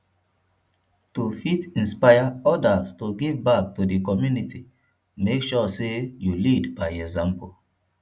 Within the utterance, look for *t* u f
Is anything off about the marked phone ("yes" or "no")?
no